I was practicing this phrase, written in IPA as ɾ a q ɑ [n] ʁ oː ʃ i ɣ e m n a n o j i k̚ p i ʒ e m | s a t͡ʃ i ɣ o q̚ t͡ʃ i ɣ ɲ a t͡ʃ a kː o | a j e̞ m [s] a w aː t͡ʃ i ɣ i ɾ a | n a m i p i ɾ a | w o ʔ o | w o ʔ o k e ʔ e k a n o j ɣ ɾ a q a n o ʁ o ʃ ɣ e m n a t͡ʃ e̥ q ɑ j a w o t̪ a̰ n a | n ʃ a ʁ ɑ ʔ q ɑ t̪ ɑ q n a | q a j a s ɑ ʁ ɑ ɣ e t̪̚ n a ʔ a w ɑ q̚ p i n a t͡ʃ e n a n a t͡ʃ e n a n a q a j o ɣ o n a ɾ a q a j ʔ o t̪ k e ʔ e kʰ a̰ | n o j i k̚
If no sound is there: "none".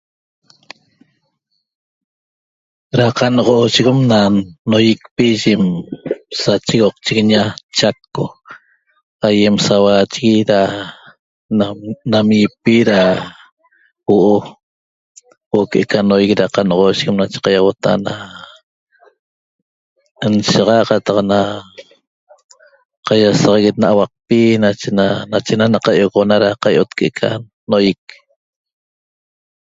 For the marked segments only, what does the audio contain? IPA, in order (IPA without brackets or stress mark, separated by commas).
n, s